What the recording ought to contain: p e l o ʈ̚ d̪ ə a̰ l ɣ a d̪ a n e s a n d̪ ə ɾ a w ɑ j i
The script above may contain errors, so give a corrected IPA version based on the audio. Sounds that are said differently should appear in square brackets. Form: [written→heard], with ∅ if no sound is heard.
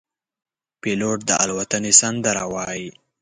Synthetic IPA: p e l o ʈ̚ d̪ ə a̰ l [ɣ→w] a [d̪→t̪] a n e s a n d̪ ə ɾ a w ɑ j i